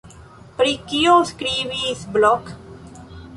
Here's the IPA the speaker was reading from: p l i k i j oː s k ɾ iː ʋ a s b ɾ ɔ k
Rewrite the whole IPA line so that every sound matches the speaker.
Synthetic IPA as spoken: p ɾ i k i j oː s k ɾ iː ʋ i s b l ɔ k